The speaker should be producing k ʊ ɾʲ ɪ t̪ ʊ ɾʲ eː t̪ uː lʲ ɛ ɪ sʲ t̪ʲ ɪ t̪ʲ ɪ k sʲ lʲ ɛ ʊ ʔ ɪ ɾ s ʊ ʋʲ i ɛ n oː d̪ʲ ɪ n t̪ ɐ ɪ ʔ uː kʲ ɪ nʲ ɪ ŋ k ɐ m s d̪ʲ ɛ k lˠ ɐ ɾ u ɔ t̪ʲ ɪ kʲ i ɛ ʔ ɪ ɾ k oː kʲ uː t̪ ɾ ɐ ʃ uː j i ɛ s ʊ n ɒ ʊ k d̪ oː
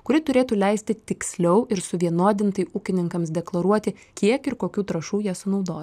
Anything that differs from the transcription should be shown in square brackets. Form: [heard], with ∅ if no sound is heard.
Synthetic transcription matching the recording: k ʊ ɾʲ ɪ t̪ ʊ ɾʲ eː t̪ uː lʲ ɛ ɪ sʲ t̪ʲ ɪ t̪ʲ ɪ k sʲ lʲ ɛ ʊ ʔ ɪ ɾ s ʊ ʋʲ i ɛ n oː d̪ʲ ɪ n t̪ ɐ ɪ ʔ uː kʲ ɪ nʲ ɪ ŋ k ɐ m s d̪ʲ ɛ k lˠ ɐ ɾ u ɔ t̪ʲ ɪ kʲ i ɛ [k] ɪ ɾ k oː kʲ uː t̪ ɾ ɐ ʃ uː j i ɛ s ʊ n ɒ ʊ [∅] d̪ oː